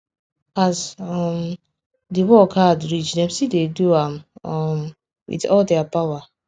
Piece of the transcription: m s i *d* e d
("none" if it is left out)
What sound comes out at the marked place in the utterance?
d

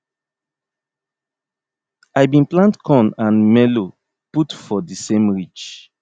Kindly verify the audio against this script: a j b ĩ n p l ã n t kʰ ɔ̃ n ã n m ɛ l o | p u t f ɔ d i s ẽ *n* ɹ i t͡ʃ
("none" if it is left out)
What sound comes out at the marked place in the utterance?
m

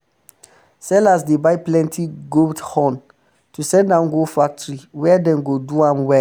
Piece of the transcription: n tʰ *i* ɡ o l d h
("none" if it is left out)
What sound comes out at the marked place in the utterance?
i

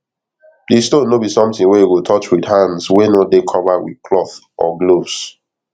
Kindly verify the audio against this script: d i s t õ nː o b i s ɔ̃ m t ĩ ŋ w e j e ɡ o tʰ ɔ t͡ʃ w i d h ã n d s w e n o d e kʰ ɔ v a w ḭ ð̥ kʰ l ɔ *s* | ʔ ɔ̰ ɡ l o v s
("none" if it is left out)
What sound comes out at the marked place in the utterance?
θ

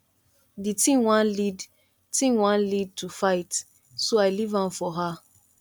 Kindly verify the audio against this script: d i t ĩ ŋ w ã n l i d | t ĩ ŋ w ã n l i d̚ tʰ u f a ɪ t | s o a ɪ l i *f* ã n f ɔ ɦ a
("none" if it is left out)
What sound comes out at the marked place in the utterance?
v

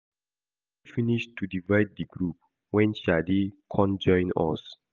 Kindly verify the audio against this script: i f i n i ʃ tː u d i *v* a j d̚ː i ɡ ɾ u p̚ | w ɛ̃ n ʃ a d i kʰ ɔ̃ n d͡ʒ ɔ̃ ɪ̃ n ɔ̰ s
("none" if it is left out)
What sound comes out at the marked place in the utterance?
v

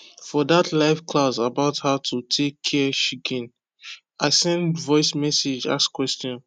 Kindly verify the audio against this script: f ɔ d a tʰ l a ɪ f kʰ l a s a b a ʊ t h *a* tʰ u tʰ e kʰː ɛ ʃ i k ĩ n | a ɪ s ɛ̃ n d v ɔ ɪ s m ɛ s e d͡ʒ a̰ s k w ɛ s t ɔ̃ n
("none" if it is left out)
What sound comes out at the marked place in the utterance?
a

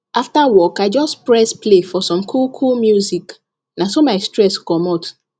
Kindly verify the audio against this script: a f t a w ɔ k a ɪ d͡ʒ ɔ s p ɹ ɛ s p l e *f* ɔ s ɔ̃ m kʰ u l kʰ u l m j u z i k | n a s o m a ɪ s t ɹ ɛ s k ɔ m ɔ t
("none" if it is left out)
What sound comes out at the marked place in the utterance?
f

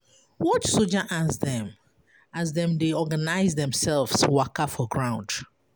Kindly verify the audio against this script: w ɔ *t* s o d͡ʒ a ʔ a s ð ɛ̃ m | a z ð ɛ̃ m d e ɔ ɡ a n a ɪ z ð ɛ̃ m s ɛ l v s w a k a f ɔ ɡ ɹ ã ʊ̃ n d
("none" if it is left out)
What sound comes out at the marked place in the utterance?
t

